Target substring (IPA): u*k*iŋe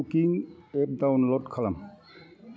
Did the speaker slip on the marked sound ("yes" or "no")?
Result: no